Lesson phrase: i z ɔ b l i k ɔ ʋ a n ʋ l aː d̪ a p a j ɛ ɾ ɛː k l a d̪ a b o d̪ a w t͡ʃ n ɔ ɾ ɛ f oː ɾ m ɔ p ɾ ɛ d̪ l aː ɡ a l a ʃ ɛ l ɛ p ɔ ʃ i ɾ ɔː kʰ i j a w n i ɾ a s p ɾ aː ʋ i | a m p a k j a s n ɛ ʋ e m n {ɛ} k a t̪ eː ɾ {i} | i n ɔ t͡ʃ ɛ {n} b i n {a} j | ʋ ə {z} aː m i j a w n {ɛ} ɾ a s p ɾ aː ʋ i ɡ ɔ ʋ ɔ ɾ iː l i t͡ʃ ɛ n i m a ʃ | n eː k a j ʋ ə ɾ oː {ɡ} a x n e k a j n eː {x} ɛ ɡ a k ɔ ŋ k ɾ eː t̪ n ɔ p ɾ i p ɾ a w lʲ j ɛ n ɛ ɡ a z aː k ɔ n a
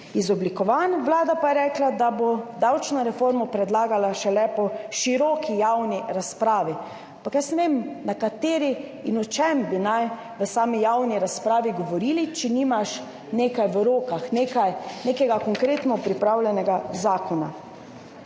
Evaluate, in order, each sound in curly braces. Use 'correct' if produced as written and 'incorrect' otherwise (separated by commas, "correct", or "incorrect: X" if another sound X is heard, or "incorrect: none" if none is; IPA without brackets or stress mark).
incorrect: a, correct, incorrect: m, correct, incorrect: s, incorrect: i, incorrect: k, incorrect: k